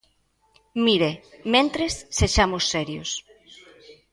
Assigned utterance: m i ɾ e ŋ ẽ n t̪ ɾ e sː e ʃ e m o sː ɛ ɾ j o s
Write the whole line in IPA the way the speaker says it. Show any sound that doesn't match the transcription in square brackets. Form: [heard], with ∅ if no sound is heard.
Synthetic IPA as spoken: m i ɾ e [m] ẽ n t̪ ɾ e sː e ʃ [a] m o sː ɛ ɾ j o s